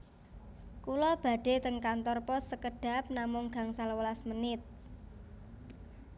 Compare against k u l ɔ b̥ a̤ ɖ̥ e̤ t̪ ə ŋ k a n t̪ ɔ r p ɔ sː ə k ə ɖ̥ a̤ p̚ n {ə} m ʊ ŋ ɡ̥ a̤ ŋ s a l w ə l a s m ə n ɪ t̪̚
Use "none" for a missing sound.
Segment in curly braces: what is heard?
a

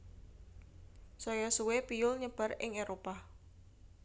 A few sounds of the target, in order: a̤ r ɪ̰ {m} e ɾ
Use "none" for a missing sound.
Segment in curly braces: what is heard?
ŋ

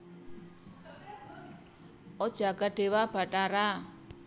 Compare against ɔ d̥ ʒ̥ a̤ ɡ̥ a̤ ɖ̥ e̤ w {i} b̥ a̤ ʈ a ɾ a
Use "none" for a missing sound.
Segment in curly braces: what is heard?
a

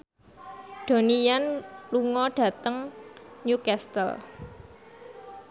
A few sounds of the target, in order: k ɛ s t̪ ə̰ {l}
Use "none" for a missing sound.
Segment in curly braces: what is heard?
l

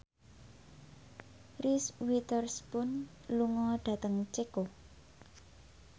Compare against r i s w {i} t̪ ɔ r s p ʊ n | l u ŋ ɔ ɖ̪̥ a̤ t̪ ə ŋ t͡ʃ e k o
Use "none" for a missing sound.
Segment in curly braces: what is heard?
i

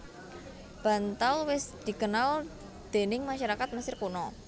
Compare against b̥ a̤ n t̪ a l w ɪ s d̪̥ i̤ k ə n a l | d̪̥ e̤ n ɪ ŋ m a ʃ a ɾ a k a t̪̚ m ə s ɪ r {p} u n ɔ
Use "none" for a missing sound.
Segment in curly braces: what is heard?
k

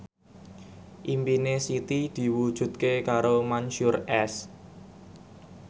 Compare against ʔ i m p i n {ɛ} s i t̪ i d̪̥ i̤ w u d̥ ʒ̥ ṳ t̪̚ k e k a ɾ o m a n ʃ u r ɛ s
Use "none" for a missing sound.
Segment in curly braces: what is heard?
e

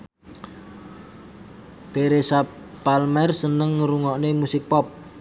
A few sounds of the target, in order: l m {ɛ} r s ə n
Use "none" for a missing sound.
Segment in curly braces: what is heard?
ɛ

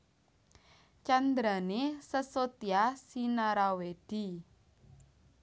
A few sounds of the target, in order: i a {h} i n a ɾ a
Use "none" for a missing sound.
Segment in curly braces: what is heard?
s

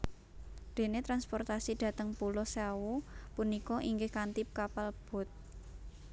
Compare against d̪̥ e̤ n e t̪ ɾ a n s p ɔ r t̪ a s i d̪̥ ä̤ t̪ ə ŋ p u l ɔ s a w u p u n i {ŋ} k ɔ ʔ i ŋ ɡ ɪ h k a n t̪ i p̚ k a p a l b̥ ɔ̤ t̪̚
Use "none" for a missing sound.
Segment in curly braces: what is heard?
none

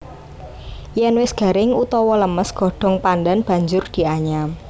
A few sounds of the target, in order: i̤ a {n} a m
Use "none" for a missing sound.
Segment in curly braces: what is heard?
ɲ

